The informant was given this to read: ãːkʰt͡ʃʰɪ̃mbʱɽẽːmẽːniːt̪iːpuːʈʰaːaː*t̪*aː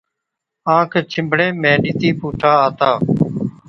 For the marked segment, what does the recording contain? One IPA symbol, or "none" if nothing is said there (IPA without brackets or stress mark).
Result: t̪